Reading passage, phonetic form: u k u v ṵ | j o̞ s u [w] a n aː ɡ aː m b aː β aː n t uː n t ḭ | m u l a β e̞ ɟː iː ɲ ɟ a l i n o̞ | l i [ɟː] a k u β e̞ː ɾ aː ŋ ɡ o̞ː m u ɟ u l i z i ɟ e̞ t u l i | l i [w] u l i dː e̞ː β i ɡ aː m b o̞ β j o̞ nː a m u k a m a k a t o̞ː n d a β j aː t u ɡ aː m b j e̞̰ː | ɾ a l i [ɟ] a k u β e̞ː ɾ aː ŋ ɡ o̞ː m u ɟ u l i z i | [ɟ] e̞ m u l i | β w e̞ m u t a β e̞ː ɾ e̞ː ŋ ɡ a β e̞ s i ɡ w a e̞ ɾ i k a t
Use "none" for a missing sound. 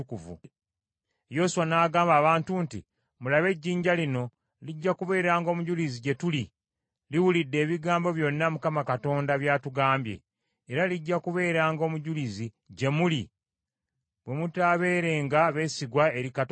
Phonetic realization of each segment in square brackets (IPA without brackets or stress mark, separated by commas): w, ɟː, w, ɟː, ɟ